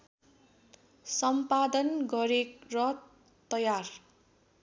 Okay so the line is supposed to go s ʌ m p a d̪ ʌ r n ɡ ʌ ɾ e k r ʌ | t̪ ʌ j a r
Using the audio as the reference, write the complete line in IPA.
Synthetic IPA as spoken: s ʌ m p a d̪ ʌ n ɡ ʌ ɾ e k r ʌ | t̪ ʌ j a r